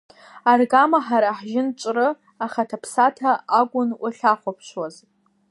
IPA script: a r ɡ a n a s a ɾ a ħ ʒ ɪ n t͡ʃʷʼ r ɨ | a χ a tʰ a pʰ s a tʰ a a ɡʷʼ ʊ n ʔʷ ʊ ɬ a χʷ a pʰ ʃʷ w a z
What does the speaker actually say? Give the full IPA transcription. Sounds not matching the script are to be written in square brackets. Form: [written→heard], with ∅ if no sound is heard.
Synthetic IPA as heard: a r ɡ a [n→m] a [s→ħ] a ɾ a ħ ʒ ɪ n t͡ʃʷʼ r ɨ | a χ a tʰ a pʰ s a tʰ a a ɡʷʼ ʊ n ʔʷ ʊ ɬ a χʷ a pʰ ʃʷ w a z